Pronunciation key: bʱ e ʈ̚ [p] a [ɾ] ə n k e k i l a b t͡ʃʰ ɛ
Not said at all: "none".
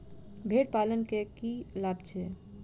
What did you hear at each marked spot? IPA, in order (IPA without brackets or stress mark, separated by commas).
p, l